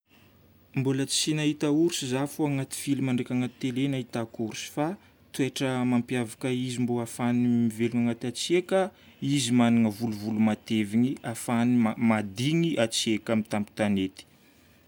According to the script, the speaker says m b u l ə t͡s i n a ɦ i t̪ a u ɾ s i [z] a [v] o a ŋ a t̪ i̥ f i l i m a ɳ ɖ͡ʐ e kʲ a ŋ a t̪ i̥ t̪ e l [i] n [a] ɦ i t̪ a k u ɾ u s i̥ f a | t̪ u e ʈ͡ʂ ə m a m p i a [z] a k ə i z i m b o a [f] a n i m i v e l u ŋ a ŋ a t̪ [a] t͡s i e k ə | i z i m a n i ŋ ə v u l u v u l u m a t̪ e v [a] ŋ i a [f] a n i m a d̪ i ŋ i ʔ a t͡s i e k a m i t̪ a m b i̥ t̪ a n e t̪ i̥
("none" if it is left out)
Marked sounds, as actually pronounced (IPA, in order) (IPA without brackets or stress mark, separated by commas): z, f, e, a, v, f, a, i, f